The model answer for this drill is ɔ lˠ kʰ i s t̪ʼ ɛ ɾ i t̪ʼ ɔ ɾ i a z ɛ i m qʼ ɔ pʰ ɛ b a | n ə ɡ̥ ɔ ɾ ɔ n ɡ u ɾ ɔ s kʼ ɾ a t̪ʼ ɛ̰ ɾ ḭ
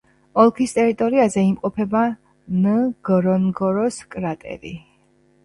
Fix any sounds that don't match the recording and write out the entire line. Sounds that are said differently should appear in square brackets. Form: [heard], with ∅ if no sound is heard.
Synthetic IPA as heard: ɔ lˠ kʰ i s t̪ʼ ɛ ɾ i t̪ʼ ɔ ɾ i a z ɛ i m qʼ ɔ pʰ ɛ b a | n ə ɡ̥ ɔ ɾ ɔ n ɡ [ɔ] ɾ ɔ s kʼ ɾ a t̪ʼ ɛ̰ ɾ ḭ